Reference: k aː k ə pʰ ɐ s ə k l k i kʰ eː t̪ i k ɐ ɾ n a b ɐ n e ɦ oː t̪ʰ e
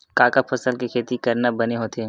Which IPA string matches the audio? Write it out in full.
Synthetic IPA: k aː k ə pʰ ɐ s ə l k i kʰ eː t̪ i k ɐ ɾ n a b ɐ n e ɦ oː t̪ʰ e

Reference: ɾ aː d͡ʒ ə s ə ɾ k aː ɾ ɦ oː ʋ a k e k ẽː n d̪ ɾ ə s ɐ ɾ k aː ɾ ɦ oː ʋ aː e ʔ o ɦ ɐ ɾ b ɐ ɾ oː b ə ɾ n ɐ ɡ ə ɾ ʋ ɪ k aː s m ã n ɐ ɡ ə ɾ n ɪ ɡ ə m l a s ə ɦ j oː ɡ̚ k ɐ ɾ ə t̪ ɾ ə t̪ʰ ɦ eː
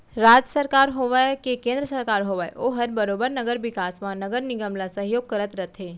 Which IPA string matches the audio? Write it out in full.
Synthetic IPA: ɾ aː d͡ʒ ə s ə ɾ k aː ɾ ɦ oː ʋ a k e k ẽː n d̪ ɾ ə s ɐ ɾ k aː ɾ ɦ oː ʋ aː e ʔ o ɦ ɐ ɾ b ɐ ɾ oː b ə ɾ n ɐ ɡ ə ɾ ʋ ɪ k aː s m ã n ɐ ɡ ə ɾ n ɪ ɡ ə m l a s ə ɦ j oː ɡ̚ k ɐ ɾ ə t̪ ɾ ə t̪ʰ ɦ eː

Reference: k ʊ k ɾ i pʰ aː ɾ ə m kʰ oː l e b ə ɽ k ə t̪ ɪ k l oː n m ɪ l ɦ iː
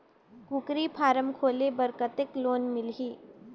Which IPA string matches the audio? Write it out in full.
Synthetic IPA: k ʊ k ɾ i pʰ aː ɾ ə m kʰ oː l e b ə ɾ k ə t̪ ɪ k l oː n m ɪ l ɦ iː

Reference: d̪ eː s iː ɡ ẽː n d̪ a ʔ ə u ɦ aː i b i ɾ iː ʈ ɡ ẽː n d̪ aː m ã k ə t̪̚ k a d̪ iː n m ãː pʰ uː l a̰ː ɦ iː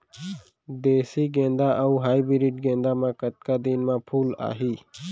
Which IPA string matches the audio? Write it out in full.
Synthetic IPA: d̪ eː s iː ɡ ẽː n d̪ a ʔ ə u ɦ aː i b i ɾ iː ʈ ɡ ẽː n d̪ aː m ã k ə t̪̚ k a d̪ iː n m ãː pʰ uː l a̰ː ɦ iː

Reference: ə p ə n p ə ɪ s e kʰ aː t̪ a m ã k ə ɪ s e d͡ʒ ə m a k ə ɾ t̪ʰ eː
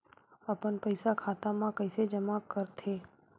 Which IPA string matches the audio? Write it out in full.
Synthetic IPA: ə p ə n p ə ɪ s a kʰ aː t̪ a m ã k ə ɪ s e d͡ʒ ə m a k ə ɾ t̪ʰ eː

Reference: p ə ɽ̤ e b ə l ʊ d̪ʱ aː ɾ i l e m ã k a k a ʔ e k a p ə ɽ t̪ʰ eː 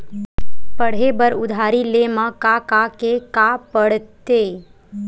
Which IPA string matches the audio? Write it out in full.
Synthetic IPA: p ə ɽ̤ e b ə ɾ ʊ d̪ʱ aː ɾ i l e m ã k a k a k e k a p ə ɽ t̪ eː

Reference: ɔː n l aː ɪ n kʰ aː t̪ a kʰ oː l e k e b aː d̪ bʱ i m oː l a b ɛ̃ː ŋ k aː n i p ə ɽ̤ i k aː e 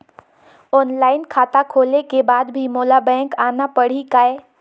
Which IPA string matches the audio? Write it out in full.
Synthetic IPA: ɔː n l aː ɪ n kʰ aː t̪ a kʰ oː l e k e b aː d̪ bʱ i m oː l a b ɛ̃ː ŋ k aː n a p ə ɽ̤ i k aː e

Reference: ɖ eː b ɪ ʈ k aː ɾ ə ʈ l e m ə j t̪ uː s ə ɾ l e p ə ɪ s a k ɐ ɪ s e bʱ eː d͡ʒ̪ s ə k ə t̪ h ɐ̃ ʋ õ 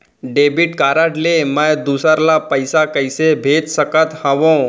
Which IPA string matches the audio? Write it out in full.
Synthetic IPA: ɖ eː b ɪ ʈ k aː ɾ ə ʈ l e m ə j d̪ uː s ə ɾ l a p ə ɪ s a k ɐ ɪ s e bʱ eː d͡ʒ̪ s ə k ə t̪ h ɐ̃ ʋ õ

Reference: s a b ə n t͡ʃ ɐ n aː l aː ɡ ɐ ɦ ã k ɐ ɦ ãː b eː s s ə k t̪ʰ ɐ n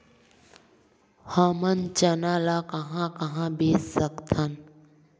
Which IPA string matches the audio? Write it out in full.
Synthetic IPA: h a m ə n t͡ʃ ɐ n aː l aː k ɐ ɦ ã k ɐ ɦ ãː b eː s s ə k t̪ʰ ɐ n

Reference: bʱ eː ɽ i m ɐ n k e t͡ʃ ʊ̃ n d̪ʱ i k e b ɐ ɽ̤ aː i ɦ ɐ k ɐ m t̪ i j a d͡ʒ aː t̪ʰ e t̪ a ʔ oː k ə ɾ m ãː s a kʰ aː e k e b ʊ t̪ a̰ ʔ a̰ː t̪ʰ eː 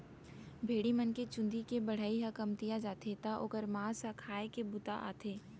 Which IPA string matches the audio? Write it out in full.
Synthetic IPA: bʱ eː ɽ i m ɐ n k e t͡ʃ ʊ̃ n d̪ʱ i k e b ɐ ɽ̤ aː i ɦ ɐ k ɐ m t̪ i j a d͡ʒ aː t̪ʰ e t̪ a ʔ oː k ə ɾ m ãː s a kʰ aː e k e b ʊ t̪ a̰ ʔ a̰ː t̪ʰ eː

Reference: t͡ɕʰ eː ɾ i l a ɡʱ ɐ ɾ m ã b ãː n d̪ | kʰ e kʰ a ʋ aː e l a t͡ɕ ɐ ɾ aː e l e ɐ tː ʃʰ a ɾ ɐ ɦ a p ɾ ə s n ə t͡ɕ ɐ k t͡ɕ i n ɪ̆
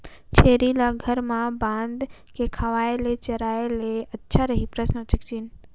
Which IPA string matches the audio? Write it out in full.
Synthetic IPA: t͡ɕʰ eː ɾ i l a ɡʱ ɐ ɾ m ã b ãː n d̪ | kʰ e kʰ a ʋ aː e l e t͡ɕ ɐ ɾ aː e l e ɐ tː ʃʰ a ɾ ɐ ɦ i p ɾ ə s n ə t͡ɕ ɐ k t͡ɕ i n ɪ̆

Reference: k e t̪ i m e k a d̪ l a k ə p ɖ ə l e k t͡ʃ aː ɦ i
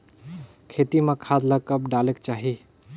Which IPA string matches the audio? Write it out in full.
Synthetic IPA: kʰ e t̪ i m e kʰ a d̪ l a k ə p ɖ a l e k t͡ʃ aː ɦ i

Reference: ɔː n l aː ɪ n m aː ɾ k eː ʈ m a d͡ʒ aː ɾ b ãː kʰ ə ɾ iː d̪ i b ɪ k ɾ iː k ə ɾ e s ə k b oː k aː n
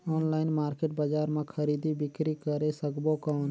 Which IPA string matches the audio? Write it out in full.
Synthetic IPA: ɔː n l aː ɪ n m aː ɾ k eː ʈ b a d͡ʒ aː ɾ m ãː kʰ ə ɾ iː d̪ i b ɪ k ɾ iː k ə ɾ e s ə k b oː k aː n

